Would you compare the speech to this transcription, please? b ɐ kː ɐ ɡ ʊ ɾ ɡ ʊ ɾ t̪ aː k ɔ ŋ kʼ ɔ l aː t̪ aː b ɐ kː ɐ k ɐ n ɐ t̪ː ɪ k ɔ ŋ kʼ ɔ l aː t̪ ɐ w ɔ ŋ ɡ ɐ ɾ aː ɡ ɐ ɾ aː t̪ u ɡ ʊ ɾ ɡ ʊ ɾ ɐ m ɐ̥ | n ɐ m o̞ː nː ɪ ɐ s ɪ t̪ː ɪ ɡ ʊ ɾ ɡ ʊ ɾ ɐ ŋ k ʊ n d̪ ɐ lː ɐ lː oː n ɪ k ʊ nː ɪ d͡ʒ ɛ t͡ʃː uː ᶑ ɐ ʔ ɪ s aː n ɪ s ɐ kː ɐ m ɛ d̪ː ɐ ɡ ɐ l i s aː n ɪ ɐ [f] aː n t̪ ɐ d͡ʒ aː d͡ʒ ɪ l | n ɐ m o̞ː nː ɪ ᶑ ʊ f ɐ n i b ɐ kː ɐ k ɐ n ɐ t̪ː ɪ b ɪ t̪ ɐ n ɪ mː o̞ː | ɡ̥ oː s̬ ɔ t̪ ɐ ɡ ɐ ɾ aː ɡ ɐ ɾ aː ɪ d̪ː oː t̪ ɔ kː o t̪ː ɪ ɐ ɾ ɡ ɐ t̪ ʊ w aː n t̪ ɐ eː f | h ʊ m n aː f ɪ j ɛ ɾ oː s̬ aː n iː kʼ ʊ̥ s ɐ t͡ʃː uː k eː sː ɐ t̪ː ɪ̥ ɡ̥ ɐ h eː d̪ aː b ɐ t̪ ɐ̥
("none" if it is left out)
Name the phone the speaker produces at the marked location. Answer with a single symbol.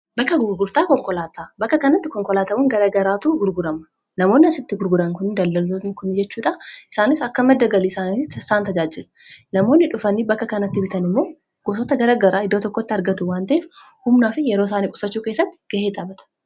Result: s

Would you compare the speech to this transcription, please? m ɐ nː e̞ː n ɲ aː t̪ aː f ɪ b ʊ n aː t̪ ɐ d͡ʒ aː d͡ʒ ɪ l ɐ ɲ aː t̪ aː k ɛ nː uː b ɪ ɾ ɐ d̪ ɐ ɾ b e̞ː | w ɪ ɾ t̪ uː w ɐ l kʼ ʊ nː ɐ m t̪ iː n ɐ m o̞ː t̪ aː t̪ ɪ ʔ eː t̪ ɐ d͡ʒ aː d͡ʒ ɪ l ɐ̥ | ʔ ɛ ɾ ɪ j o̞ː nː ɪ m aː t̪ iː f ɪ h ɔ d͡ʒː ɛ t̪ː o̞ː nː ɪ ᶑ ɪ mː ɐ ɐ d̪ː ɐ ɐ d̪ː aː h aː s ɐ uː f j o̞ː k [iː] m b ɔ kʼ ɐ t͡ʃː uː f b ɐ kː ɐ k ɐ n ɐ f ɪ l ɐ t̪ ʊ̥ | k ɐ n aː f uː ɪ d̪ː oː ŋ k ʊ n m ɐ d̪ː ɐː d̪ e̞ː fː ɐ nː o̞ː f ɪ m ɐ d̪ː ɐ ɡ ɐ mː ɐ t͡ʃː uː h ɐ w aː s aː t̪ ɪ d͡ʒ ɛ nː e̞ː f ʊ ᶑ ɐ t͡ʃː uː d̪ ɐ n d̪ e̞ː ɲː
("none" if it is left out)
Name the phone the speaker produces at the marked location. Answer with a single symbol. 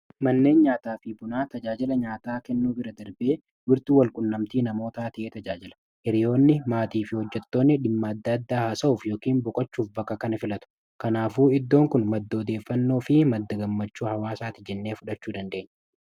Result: iː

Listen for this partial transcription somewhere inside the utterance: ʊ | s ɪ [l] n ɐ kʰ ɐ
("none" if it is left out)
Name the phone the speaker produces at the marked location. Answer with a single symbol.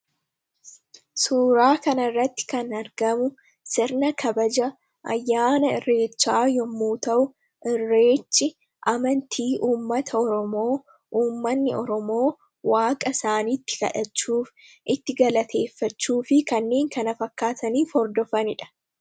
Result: ɾ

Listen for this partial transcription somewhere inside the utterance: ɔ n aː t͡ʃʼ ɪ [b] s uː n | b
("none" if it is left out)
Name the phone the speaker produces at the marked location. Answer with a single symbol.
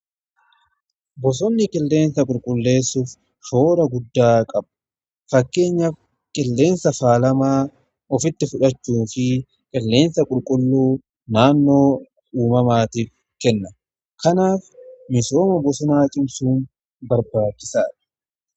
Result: m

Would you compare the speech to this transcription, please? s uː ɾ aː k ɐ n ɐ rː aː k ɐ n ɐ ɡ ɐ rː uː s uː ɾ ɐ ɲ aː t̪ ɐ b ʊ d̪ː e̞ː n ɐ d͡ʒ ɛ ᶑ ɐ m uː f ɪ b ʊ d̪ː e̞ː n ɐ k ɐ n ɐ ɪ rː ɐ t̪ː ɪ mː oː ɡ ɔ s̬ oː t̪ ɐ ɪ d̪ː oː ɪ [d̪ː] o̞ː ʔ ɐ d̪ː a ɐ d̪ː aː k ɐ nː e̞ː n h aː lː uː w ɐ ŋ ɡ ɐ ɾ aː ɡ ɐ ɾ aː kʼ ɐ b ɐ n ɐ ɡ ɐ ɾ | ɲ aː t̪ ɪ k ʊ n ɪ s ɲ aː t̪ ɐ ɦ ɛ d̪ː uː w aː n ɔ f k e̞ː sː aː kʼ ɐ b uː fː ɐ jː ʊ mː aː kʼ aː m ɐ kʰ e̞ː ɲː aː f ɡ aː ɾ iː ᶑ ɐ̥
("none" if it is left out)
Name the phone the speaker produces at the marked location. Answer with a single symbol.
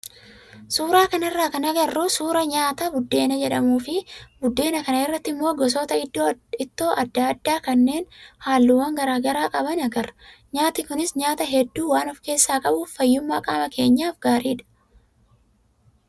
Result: t̪ː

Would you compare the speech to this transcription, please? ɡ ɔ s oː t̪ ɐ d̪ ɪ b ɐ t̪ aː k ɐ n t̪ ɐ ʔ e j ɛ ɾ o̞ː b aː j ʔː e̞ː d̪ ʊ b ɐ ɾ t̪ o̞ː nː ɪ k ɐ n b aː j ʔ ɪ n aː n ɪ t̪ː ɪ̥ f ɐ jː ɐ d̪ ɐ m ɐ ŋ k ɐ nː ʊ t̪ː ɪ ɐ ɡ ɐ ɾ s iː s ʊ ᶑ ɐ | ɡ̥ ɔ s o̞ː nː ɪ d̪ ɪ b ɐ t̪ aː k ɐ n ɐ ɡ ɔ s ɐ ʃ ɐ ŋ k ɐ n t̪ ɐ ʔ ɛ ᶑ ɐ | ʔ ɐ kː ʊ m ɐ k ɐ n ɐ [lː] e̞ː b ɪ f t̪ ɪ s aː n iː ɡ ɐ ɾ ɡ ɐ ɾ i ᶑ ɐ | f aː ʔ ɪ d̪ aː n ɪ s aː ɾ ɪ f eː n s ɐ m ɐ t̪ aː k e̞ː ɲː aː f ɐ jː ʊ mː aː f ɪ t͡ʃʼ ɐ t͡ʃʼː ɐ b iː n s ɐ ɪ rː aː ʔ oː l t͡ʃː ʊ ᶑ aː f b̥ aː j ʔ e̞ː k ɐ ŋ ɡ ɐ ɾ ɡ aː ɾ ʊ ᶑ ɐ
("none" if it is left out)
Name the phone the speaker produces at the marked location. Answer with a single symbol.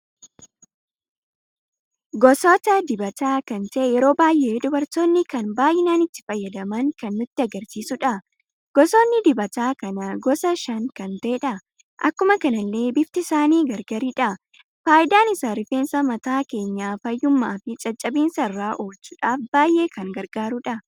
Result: lː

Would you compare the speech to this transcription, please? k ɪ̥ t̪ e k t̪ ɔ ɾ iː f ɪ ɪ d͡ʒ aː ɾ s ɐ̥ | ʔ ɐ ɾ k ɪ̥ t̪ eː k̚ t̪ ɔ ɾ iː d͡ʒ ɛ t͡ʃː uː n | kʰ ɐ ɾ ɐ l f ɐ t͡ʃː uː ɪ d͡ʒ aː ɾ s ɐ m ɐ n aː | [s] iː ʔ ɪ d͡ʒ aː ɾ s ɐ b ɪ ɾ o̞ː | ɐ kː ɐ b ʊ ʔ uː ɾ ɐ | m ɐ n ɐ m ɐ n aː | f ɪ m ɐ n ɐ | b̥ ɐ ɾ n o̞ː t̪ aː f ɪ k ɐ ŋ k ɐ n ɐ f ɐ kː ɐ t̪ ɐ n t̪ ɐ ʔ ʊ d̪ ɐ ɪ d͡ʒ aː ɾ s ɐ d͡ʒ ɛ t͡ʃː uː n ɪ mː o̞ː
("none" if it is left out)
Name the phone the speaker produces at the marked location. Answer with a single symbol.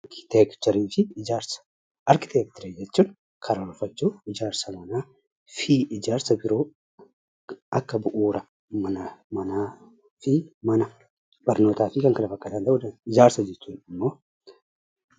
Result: f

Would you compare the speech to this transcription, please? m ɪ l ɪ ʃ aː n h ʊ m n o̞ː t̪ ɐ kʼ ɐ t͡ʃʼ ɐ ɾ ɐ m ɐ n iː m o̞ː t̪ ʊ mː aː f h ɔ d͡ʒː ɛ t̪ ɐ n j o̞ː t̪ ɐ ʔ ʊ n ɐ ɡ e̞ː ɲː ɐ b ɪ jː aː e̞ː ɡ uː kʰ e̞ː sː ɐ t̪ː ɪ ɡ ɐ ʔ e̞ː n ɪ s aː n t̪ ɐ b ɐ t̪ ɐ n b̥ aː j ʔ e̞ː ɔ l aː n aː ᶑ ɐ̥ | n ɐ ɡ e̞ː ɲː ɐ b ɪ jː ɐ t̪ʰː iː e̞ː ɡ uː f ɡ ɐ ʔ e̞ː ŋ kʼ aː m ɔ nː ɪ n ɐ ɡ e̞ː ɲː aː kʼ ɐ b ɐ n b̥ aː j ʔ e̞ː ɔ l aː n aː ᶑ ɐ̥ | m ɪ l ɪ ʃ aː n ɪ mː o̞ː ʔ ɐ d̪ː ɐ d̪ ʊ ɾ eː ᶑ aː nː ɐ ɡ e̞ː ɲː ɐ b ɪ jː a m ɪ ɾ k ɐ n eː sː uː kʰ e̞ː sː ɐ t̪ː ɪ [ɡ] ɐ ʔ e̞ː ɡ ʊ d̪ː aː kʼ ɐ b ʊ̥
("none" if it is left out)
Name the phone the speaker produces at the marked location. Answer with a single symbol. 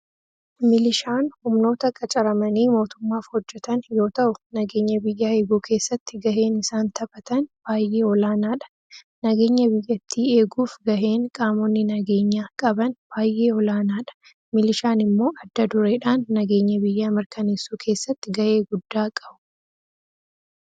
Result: ɡ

